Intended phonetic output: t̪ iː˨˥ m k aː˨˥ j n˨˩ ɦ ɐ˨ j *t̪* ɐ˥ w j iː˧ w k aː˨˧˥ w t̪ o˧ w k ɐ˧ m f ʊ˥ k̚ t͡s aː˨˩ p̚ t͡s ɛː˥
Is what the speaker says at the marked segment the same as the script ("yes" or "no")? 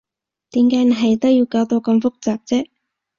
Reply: yes